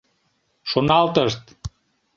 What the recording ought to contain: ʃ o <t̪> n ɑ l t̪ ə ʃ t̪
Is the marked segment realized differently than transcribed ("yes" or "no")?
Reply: yes